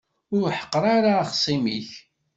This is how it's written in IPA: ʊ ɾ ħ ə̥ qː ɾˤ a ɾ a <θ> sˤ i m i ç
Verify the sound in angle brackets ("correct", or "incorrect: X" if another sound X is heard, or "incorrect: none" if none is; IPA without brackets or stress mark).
incorrect: χ